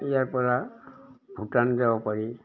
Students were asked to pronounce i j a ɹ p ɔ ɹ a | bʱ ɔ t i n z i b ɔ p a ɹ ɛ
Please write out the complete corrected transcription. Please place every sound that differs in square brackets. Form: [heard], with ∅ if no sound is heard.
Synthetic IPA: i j a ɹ p ɔ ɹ a | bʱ [u] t [a] n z [a] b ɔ p a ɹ [i]